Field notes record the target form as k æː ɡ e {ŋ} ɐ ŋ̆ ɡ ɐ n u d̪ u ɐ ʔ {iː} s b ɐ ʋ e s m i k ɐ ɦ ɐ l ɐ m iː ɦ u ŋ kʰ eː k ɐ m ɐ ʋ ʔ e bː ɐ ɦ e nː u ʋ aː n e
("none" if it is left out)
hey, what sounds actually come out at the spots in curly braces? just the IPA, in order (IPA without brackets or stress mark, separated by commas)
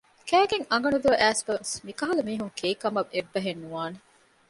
ŋ, æː